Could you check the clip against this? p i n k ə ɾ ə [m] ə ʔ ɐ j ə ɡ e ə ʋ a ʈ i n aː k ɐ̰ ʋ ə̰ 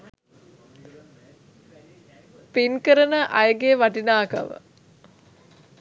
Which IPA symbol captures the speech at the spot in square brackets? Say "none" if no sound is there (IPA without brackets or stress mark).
n